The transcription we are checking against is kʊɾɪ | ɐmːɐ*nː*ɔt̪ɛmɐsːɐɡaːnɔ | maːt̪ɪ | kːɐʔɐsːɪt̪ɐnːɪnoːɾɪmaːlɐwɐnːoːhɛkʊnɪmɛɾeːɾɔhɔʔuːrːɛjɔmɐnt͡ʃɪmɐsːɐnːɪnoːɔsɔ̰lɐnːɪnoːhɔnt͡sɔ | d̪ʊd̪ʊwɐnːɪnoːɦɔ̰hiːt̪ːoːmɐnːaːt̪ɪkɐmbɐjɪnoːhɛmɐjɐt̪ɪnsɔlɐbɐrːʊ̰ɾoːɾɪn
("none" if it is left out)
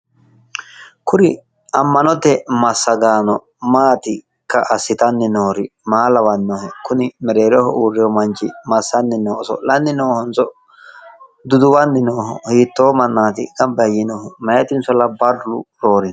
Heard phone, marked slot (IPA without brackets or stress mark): n